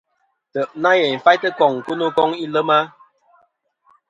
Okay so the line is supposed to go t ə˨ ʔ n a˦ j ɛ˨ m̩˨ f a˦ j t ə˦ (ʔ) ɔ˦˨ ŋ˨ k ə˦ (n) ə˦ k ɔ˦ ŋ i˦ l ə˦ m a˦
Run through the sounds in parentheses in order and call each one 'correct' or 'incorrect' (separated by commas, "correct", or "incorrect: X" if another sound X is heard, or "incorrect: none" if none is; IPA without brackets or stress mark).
incorrect: k, correct